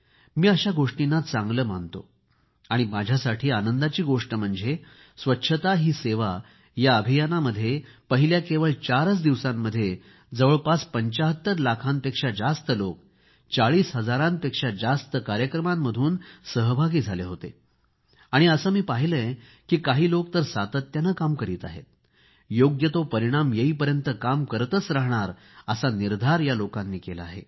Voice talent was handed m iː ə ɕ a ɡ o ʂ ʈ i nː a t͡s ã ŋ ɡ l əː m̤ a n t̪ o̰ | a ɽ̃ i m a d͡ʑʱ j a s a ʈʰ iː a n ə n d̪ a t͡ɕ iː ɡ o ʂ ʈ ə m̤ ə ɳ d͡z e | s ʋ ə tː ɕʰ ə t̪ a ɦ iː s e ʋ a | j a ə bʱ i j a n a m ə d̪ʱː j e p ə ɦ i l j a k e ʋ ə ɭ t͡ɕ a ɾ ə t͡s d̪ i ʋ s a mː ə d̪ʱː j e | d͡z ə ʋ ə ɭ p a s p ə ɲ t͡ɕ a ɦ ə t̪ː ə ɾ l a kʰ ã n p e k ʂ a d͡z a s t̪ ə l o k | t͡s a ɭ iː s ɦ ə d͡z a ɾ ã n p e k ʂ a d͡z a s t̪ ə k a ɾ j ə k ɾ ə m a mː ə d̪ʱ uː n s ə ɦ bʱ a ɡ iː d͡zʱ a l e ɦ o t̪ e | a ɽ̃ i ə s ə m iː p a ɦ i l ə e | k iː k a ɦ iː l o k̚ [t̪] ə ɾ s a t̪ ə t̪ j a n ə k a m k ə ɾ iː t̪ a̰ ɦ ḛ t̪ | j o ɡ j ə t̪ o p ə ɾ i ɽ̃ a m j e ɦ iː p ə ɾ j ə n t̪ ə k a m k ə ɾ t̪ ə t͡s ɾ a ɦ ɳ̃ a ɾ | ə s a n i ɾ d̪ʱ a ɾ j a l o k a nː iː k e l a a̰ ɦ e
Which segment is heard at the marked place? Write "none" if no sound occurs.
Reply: t̪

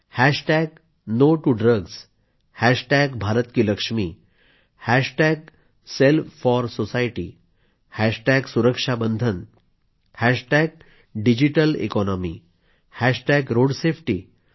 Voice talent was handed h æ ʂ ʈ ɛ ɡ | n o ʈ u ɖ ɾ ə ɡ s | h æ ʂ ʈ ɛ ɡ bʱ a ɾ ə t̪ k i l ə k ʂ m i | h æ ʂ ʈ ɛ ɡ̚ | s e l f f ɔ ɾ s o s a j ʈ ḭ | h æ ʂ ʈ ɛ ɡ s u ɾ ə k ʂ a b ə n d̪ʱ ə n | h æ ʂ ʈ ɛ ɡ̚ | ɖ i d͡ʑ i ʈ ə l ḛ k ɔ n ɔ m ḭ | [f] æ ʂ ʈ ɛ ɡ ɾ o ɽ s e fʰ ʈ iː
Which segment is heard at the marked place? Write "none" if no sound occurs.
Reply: h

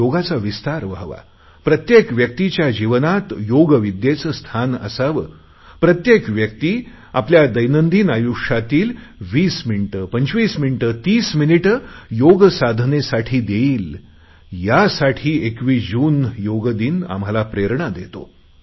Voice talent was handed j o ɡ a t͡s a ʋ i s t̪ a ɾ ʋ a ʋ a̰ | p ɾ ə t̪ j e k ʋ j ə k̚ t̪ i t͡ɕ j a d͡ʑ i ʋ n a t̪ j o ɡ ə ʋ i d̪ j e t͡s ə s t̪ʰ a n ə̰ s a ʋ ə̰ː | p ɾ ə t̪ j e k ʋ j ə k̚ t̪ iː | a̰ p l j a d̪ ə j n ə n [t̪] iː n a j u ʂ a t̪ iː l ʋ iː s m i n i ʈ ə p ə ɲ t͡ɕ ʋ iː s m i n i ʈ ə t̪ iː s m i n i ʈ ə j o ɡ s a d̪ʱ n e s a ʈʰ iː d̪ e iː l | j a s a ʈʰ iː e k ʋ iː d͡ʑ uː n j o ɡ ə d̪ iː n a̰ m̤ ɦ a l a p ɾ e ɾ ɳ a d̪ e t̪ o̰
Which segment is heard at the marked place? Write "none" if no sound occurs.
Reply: d̪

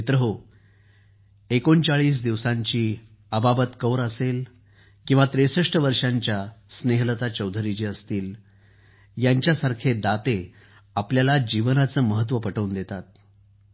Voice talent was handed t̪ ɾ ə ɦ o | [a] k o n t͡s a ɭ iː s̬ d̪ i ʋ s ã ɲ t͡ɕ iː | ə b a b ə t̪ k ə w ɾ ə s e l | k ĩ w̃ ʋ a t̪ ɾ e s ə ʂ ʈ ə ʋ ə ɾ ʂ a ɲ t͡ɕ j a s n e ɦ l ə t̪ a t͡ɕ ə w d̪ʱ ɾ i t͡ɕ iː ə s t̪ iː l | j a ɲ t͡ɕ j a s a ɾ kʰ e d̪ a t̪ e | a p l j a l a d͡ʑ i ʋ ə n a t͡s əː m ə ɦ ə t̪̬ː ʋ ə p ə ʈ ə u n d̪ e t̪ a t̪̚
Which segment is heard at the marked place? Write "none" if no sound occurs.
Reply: e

